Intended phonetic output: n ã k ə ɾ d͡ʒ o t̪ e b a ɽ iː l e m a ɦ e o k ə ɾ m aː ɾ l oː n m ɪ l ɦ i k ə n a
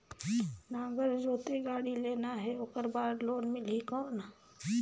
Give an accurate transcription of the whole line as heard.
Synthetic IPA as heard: n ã ɡ ə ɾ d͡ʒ o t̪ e ɡ a ɽ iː l e n a ɦ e o k ə ɾ b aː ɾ l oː n m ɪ l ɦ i k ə n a